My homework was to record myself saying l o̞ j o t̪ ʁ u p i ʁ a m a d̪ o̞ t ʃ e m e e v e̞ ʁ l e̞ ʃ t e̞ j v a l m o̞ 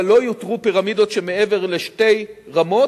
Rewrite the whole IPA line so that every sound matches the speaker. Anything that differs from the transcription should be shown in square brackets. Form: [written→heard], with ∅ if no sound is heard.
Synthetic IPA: l o̞ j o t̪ ʁ u p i ʁ a m [a→i] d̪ o̞ t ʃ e m e e v e̞ ʁ l e̞ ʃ t e̞ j [v→ʁ] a [l→∅] m o̞

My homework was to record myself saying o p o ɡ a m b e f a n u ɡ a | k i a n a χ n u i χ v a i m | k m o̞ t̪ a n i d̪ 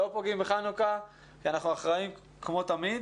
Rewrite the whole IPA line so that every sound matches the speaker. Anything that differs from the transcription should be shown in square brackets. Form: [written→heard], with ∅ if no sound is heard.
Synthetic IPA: o p o ɡ [a→i] m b e [f→χ] a n u [ɡ→k] a | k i a n a χ n u [i→a] χ [v→ʁ] a i m | k m o̞ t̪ a [n→m] i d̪

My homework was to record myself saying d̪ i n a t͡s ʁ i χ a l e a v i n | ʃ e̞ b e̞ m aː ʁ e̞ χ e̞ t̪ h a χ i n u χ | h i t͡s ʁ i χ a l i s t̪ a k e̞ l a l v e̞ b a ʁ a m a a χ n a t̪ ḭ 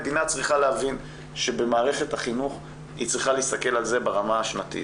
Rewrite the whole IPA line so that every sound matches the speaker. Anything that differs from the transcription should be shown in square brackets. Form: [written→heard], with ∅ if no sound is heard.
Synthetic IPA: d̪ i n a t͡s ʁ i χ a l e a v i n | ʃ e̞ b e̞ m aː ʁ e̞ χ e̞ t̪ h a χ i n u χ | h i t͡s ʁ i χ a l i s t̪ a k e̞ l a l [v→z] e̞ b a ʁ a m a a [χ→ʃ] n a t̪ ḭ

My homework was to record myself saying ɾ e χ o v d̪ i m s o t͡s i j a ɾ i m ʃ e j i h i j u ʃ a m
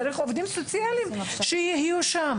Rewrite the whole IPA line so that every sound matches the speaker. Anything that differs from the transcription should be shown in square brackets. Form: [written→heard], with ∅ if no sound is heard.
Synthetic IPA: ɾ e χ o v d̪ i m s o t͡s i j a [ɾ→l] i m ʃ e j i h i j u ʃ a m

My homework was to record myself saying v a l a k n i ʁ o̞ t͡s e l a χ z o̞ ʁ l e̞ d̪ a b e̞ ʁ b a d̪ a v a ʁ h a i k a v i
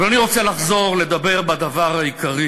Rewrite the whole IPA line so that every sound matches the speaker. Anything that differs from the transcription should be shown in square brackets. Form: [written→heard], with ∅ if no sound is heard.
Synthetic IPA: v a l a [k→∅] n i ʁ o̞ t͡s e l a χ z o̞ ʁ l e̞ d̪ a b e̞ ʁ b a d̪ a v a ʁ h a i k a [v→ʁ] i

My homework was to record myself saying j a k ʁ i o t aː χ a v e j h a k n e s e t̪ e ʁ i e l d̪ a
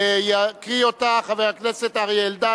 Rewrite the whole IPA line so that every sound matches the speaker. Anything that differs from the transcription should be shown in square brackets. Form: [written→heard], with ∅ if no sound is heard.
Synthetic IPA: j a k ʁ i o t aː χ a v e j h a k n e s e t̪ [e→a] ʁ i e l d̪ a

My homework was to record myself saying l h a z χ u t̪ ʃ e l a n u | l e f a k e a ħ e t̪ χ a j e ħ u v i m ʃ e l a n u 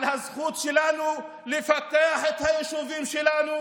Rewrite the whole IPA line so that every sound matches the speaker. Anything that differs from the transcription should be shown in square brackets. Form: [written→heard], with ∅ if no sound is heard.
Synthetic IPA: l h a z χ u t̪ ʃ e l a n u | l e f a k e a ħ e t̪ [χ→h] a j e [ħ→ʃ] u v i m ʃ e l a n u

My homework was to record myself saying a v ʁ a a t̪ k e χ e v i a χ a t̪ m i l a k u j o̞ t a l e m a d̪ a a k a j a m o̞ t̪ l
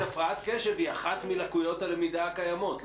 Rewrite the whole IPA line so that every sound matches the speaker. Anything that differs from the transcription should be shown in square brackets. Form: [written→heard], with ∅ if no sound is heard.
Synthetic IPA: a [v→f] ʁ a a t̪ k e [χ→ʃ] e v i a χ a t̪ m i l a k u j o̞ t a l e m [a→i] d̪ a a k a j a m o̞ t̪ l

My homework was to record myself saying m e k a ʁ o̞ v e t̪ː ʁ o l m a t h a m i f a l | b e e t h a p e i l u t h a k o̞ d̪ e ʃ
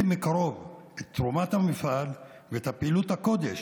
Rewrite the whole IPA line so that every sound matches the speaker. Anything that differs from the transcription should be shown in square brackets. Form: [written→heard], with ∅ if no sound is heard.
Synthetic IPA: m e k a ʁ o̞ v e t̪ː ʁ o [l→∅] m a t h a m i f a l | [b→v] e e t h a p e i l u t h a k o̞ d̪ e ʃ

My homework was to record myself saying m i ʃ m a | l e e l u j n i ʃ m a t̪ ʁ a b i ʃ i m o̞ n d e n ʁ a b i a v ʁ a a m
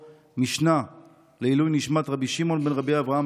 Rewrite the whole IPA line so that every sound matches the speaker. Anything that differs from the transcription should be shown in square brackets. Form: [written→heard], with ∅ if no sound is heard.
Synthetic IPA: m i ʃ [m→n] a | l e [e→i] l u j n i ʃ m a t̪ ʁ a b i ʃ i m o̞ n [d→b] e n ʁ a b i a v ʁ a a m

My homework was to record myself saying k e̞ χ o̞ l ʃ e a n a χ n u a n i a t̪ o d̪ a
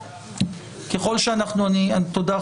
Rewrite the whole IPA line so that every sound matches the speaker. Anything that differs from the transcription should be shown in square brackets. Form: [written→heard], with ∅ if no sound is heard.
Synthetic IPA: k e̞ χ o̞ l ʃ e a n a χ n u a n i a t̪ o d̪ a

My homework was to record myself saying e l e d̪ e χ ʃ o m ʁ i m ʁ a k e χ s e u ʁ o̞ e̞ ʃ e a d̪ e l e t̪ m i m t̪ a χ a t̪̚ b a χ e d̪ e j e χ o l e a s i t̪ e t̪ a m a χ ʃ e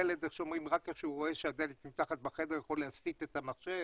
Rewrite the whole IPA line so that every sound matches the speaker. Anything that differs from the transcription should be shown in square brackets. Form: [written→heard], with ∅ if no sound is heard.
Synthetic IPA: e l e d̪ e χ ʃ o m ʁ i m ʁ a k e χ [s→ʃ] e u ʁ o̞ e̞ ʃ e a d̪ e l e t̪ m i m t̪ a χ a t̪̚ b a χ e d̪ e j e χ o l e a s i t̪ e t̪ a m a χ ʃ e

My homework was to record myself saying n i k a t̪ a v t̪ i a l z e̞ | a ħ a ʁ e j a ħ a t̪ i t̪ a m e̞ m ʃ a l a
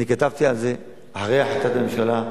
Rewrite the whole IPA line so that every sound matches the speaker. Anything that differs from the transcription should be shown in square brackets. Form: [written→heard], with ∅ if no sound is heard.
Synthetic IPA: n i k a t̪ a v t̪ i a l z e̞ | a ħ a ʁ e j a ħ a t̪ [i→a] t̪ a m e̞ m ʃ a l a

